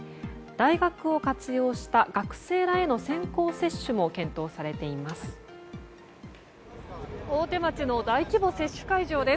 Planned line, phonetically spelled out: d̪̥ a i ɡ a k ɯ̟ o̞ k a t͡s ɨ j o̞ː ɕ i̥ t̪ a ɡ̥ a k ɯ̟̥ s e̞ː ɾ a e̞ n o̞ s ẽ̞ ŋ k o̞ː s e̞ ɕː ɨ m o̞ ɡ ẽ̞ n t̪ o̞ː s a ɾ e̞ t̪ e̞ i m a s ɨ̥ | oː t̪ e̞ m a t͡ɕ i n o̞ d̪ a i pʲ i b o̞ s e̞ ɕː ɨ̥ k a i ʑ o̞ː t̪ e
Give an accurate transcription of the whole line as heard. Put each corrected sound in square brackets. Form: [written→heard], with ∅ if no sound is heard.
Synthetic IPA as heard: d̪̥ a i ɡ a k ɯ̟ o̞ k a t͡s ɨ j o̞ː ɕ i̥ t̪ a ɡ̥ a k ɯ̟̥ s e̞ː ɾ a e̞ n o̞ s ẽ̞ ŋ k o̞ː s e̞ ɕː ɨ m o̞ [ɡ→k] ẽ̞ n t̪ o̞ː s a ɾ e̞ t̪ e̞ i m a s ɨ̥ | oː t̪ e̞ m a t͡ɕ i n o̞ d̪ a i [pʲ→kʲ] i b o̞ s e̞ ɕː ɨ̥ k a i ʑ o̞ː [t̪→d̪] e

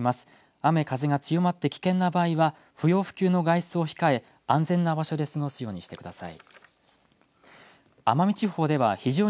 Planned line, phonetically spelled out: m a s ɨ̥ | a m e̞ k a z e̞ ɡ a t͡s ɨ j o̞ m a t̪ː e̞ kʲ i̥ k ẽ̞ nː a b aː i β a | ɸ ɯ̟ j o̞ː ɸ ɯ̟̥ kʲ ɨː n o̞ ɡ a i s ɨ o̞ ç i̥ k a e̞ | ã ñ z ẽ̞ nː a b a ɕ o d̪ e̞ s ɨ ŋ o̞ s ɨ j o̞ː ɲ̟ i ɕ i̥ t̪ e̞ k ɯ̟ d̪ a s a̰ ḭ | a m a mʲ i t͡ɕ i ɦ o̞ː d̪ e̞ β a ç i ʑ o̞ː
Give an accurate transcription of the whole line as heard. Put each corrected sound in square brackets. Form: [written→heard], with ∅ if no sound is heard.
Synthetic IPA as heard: m a s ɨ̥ | a m e̞ k a z e̞ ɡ a t͡s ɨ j o̞ m a t̪ː e̞ kʲ i̥ k ẽ̞ nː a b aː i β a | ɸ ɯ̟ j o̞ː ɸ ɯ̟̥ kʲ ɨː n o̞ ɡ a i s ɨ o̞ ç i̥ k a e̞ | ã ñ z ẽ̞ nː a b a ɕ o d̪ e̞ s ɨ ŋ o̞ s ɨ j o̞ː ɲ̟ i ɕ i̥ t̪ e̞ k ɯ̟ d̪ a s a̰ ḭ | a m a mʲ i t͡ɕ i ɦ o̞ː d̪ e̞ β a ç i ʑ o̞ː

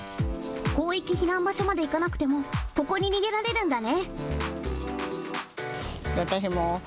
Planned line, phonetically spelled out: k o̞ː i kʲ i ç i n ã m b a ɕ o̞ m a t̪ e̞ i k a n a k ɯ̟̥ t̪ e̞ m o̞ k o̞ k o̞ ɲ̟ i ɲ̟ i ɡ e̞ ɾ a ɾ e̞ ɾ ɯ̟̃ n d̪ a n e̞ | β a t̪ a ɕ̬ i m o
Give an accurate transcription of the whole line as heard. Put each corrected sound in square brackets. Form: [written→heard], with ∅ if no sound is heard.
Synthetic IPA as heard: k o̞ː i kʲ i ç i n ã m b a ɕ o̞ m a [t̪→d̪] e̞ i k a n a k ɯ̟̥ t̪ e̞ m o̞ k o̞ k o̞ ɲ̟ i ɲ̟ i ɡ e̞ ɾ a ɾ e̞ ɾ ɯ̟̃ n d̪ a n e̞ | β a t̪ a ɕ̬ i m o

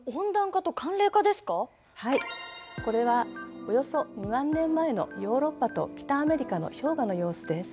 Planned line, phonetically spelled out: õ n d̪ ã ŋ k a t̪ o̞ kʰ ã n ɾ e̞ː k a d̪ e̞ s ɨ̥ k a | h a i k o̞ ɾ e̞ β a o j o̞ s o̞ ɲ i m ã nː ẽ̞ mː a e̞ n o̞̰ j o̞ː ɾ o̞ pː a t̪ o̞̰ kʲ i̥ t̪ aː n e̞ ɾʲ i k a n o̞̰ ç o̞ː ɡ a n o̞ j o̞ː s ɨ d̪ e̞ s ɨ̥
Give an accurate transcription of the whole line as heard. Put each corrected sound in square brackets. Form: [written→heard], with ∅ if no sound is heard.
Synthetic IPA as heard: õ n d̪ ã ŋ k a t̪ o̞ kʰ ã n ɾ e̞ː k a d̪ e̞ s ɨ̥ k a | h a i k o̞ ɾ e̞ β a o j o̞ s o̞ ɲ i m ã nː ẽ̞ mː a e̞ n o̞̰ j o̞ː ɾ o̞ pː a t̪ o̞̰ kʲ i̥ t̪ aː [n→m] e̞ ɾʲ i k a n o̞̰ ç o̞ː ɡ a n o̞ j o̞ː s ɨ d̪ e̞ s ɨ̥

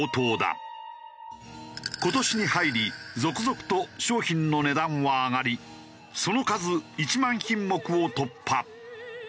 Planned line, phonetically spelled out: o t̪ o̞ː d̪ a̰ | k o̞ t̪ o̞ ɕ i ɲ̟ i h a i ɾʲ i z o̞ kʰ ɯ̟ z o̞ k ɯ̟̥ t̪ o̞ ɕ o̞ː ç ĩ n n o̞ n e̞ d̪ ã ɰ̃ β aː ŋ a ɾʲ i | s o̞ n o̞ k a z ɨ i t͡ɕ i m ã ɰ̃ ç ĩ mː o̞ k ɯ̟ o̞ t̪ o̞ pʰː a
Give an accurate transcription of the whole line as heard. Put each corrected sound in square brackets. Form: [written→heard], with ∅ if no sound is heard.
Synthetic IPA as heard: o t̪ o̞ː d̪ a̰ | k o̞ t̪ o̞ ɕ i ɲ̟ i h a i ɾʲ i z o̞ [kʰ→k] ɯ̟ z o̞ k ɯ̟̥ t̪ o̞ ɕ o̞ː ç ĩ n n o̞ n e̞ d̪ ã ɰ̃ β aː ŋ a ɾʲ i | s o̞ n o̞ k a z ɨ i t͡ɕ i m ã ɰ̃ ç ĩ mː o̞ k ɯ̟ o̞ t̪ o̞ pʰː a

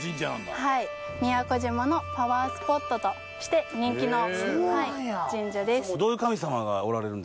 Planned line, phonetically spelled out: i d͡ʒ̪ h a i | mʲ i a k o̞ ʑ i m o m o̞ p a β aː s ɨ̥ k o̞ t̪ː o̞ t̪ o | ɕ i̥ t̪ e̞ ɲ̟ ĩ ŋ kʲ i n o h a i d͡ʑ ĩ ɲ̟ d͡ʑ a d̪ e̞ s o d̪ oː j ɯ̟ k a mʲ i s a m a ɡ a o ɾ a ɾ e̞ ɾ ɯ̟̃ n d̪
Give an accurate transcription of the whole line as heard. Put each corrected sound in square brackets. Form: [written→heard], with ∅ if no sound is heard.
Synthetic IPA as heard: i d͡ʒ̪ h a i | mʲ i a k o̞ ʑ i m o [m→n] o̞ p a β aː s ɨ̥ [k→p] o̞ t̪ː o̞ t̪ o | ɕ i̥ t̪ e̞ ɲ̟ ĩ ŋ kʲ i n o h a i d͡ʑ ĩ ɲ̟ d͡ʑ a d̪ e̞ s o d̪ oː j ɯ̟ k a mʲ i s a m a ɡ a o ɾ a ɾ e̞ ɾ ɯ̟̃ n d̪

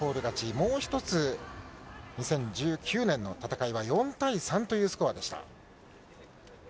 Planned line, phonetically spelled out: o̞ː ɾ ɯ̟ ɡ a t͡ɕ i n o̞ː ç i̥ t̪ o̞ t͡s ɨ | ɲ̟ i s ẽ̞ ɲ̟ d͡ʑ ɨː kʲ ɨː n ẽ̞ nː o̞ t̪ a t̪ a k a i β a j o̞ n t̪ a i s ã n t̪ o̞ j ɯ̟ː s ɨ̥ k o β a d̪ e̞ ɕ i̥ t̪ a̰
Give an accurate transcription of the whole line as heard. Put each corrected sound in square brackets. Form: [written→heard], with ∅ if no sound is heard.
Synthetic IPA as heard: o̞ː ɾ ɯ̟ ɡ a t͡ɕ i [n→m] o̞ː ç i̥ t̪ o̞ t͡s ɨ | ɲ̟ i s ẽ̞ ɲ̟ d͡ʑ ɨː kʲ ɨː n ẽ̞ nː o̞ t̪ a t̪ a k a i β a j [o̞→õ̞] n t̪ a i s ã n t̪ o̞ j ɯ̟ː s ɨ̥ k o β a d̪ e̞ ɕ i̥ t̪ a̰

